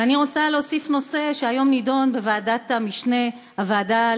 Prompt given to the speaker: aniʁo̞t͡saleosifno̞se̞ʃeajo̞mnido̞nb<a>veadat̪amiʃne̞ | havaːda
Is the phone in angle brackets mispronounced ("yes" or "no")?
yes